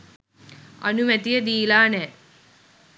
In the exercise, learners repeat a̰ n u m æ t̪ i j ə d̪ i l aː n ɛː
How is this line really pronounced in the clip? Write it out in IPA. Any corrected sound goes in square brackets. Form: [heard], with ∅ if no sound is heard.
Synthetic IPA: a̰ n u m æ t̪ i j ə d̪ [iː] l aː n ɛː